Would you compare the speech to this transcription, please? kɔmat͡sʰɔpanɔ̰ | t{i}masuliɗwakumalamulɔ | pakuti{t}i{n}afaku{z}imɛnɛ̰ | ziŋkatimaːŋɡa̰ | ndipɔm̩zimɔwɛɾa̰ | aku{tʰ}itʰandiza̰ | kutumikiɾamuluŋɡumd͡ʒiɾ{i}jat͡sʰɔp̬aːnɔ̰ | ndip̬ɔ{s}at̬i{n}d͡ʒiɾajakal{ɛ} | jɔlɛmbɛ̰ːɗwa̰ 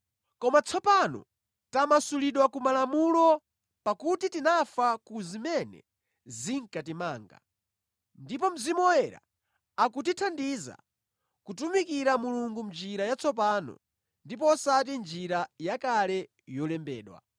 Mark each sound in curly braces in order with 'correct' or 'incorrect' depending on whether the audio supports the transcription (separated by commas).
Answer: incorrect, correct, correct, correct, incorrect, incorrect, correct, correct, correct